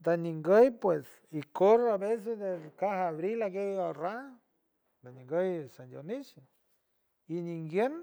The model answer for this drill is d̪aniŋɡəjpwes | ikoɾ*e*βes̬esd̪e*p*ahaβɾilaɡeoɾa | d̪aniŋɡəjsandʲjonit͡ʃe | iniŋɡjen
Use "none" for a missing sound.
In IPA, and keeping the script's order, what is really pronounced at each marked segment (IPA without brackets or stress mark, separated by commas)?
a, k